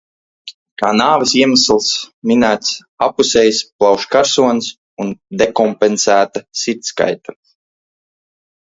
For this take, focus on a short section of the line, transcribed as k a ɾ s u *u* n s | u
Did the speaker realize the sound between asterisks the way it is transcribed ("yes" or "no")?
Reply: no